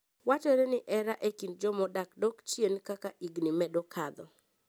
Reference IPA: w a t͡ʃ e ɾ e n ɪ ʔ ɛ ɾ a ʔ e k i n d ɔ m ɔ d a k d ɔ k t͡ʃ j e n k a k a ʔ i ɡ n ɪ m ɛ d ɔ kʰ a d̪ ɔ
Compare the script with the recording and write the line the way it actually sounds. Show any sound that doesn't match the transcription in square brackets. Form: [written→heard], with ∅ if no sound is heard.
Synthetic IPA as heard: w a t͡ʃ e ɾ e n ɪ ʔ ɛ ɾ a ʔ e k i n [d→d͡ʒ] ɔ m ɔ d a k d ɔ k t͡ʃ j e n k a k a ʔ i ɡ n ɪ m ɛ d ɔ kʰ a d̪ ɔ

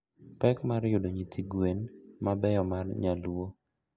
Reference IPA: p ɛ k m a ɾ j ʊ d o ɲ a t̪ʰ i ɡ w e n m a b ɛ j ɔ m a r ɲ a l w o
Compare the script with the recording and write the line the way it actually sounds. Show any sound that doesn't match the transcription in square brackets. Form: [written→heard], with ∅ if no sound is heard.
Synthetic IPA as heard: p ɛ k m a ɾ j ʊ d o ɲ [a→i] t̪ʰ i ɡ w e n m a b ɛ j ɔ m a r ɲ a l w o

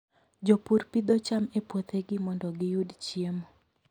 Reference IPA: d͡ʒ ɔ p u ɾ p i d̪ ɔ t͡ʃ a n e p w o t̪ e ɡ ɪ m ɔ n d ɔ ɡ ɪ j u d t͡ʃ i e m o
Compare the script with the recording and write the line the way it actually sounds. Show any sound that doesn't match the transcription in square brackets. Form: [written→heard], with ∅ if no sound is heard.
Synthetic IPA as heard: d͡ʒ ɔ p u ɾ p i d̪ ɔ t͡ʃ a [n→m] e p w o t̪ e ɡ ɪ m ɔ n d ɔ ɡ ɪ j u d t͡ʃ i e m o

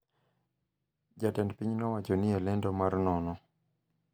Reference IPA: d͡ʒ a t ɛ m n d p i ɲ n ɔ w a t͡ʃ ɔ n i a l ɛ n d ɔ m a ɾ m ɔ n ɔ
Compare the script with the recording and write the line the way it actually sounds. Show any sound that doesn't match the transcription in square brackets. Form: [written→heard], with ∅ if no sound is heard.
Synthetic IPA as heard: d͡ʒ a t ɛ [m→∅] n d p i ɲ n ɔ w a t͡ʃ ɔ n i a l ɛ n d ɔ m a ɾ [m→n] ɔ n ɔ

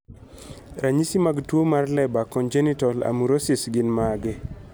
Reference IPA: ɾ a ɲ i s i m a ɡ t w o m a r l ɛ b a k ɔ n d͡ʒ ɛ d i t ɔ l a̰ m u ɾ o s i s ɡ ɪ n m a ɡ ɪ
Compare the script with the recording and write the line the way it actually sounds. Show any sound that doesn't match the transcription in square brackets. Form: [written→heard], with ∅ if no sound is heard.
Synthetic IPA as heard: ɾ a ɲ i s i m a ɡ t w o m a r l ɛ b a k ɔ n d͡ʒ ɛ [d→n] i t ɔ l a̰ m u ɾ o s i s ɡ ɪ n m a ɡ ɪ

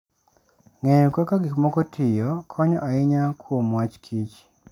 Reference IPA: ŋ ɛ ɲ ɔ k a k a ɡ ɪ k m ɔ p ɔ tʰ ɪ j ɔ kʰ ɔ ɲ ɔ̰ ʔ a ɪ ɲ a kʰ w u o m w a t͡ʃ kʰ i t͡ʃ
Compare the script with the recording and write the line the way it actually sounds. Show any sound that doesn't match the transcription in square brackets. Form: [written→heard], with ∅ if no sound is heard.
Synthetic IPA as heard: ŋ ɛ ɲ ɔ k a k a ɡ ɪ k m ɔ [p→k] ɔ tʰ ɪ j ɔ kʰ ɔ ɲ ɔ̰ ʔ a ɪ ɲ a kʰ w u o m w a t͡ʃ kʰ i t͡ʃ

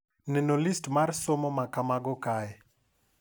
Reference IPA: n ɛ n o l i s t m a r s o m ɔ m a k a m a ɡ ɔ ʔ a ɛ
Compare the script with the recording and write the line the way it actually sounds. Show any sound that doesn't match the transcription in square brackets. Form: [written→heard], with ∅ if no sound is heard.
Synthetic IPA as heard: n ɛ n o l i s t m a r s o m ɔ m a k a m a ɡ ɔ [ʔ→k] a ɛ

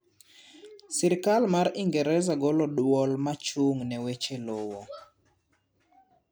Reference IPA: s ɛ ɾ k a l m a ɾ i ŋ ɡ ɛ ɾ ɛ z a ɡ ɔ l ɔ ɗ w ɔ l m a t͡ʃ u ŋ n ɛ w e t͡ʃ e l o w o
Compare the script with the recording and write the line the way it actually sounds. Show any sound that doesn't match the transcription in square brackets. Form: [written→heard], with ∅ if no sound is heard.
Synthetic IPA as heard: s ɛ ɾ k a l m a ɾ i ŋ ɡ ɛ ɾ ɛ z a ɡ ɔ l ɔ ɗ w ɔ l m a t͡ʃ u ŋ n ɛ w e t͡ʃ e l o w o

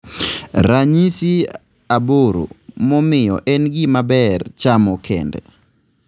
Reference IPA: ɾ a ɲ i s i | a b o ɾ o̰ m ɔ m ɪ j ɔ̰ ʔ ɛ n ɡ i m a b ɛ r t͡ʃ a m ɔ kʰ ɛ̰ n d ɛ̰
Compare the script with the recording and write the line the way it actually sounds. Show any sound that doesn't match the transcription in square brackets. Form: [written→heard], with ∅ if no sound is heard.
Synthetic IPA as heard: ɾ a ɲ i s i | a b o ɾ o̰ m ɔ m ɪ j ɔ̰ ʔ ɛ n ɡ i m a b ɛ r t͡ʃ a m ɔ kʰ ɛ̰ n d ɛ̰

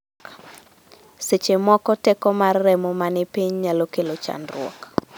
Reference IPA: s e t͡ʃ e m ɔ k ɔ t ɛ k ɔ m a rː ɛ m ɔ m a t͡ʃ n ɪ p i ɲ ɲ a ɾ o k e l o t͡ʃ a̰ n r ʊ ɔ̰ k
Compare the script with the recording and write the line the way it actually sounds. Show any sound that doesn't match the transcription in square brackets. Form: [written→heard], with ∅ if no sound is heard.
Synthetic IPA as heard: s e t͡ʃ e m ɔ k ɔ t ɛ k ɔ m a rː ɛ m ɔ m a [t͡ʃ→∅] n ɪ p i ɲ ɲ a [ɾ→l] o k e l o t͡ʃ a̰ n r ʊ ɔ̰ k

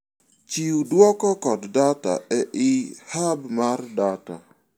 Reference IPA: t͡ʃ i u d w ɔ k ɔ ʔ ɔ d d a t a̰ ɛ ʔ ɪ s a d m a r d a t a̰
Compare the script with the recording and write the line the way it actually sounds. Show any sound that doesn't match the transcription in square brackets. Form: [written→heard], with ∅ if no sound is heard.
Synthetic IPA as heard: t͡ʃ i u d w ɔ k ɔ [ʔ→k] ɔ d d a t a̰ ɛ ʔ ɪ [s→h] a [d→b] m a r d a t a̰

